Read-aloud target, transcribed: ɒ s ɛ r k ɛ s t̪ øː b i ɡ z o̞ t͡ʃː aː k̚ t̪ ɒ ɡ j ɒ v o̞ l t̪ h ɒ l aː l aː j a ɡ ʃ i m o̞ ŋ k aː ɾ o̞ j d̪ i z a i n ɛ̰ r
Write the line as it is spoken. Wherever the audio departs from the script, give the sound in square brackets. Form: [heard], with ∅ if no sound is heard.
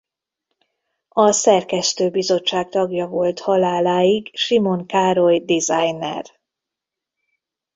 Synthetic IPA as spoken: ɒ s ɛ r k ɛ s t̪ øː b i [∅] z o̞ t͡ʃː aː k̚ t̪ ɒ ɡ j ɒ v o̞ l t̪ h ɒ l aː l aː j [i] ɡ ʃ i m o̞ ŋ k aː ɾ o̞ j d̪ i z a [j] n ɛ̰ r

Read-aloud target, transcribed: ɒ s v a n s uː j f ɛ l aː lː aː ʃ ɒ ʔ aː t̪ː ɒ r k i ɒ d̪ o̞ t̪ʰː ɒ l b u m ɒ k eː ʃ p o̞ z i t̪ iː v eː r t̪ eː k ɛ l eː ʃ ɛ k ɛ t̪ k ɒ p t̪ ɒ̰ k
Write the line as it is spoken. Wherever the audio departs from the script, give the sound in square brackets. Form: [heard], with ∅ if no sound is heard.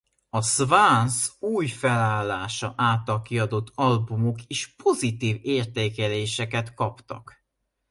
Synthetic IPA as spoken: ɒ s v a n s uː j f ɛ l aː lː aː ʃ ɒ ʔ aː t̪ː ɒ [l] k i ɒ d̪ o̞ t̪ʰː ɒ l b u m [o] k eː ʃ p o̞ z i t̪ iː v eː r t̪ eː k ɛ l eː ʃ ɛ k ɛ t̪ k ɒ p t̪ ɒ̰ k

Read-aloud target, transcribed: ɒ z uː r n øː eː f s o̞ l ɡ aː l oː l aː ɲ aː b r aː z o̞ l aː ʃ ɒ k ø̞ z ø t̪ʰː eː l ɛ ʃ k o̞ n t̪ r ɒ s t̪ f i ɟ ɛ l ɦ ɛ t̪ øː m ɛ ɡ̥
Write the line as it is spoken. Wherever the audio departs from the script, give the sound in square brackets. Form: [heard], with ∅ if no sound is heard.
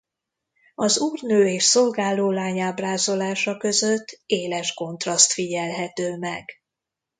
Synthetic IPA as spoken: ɒ z uː r n øː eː [ʃ] s o̞ l ɡ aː l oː l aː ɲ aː b r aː z o̞ l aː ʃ ɒ k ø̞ z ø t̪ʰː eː l ɛ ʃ k o̞ n t̪ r ɒ s t̪ f i ɟ ɛ l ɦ ɛ t̪ øː m ɛ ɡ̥

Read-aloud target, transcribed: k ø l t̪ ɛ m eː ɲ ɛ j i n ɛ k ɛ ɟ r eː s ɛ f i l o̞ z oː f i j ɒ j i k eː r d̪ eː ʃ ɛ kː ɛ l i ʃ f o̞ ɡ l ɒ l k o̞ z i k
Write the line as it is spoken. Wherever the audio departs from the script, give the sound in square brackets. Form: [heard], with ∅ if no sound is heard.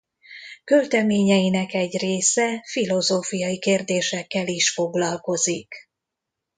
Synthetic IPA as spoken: k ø l t̪ ɛ m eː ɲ ɛ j i n ɛ k ɛ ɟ r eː s ɛ f i l o̞ z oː f i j ɒ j i k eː r d̪ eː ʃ ɛ kː ɛ l i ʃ f o̞ ɡ l ɒ l k o̞ z i k

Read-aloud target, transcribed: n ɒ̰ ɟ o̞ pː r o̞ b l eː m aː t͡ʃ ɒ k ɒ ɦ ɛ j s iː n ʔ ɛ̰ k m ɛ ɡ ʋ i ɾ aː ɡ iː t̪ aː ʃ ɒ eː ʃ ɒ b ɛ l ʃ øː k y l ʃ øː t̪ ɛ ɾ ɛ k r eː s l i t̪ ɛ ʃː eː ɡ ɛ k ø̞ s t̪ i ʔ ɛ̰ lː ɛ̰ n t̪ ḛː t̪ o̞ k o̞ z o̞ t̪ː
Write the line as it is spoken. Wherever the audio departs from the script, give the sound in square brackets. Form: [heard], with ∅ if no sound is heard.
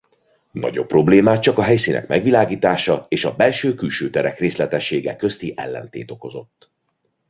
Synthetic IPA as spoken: n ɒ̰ ɟ o̞ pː r o̞ b l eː m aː t͡ʃ ɒ k ɒ ɦ ɛ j s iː n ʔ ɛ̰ k m ɛ ɡ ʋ i [l] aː ɡ iː t̪ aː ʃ ɒ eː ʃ ɒ b ɛ l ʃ øː k y l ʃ øː t̪ ɛ ɾ ɛ k r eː s l [ɛ] t̪ ɛ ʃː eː ɡ ɛ k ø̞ s t̪ i ʔ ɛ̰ lː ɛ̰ n t̪ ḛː t̪ o̞ k o̞ z o̞ t̪ː

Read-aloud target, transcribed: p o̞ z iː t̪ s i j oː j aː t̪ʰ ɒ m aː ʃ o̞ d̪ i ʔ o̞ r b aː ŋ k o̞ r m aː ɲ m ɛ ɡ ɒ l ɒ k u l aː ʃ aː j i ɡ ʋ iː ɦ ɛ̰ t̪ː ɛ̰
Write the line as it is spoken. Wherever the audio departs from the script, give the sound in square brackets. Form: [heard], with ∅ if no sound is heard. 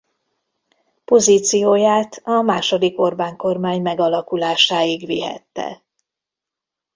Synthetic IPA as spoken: p o̞ z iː t̪ s i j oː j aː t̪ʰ ɒ m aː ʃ o̞ d̪ i [k] o̞ r b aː ŋ k o̞ r m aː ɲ m ɛ ɡ ɒ l ɒ k u l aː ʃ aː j i ɡ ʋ [i] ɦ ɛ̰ t̪ː ɛ̰

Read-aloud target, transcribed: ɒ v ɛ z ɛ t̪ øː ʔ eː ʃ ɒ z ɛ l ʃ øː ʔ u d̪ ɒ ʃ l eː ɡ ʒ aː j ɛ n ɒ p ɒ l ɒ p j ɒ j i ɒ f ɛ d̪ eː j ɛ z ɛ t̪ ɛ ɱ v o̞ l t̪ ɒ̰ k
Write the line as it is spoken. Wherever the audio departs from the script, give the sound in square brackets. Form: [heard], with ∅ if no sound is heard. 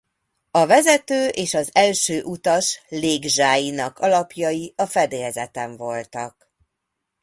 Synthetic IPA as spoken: ɒ v ɛ z ɛ t̪ øː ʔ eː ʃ ɒ z ɛ l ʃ øː ʔ u [t̪] ɒ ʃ l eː ɡ ʒ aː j [i] n ɒ [k] ɒ l ɒ p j ɒ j i ɒ f ɛ d̪ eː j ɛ z ɛ t̪ ɛ ɱ v o̞ l t̪ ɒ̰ k

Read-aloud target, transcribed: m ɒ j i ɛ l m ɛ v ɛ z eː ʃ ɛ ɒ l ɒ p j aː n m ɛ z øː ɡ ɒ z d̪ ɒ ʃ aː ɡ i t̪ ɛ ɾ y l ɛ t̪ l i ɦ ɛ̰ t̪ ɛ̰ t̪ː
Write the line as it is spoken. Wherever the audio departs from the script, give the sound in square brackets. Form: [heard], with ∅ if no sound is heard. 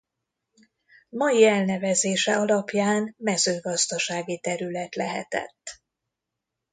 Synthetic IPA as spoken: m ɒ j i ɛ l [n] ɛ v ɛ z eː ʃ ɛ ɒ l ɒ p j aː n m ɛ z øː ɡ ɒ z d̪ ɒ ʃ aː ɡ i t̪ ɛ ɾ y l ɛ t̪ l [ɛ] ɦ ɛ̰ t̪ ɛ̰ t̪ː

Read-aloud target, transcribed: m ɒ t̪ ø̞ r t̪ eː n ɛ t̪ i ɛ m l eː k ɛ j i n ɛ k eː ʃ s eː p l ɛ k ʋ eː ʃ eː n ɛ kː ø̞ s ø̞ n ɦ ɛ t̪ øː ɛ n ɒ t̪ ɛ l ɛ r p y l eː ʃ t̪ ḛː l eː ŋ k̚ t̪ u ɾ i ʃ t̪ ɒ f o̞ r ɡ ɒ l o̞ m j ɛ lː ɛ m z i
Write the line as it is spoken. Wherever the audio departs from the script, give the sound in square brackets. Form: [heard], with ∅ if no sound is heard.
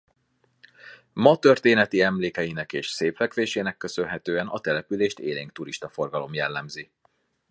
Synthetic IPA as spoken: m ɒ t̪ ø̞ r t̪ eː n ɛ t̪ i ɛ m l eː k ɛ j i n ɛ k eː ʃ s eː p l ɛ k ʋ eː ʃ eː n ɛ kː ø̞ s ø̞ n ɦ ɛ t̪ øː ɛ n ɒ t̪ ɛ l ɛ [∅] p y l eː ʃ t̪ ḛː l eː ŋ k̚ t̪ u ɾ i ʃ t̪ ɒ f o̞ r ɡ ɒ l o̞ m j ɛ lː ɛ m z i

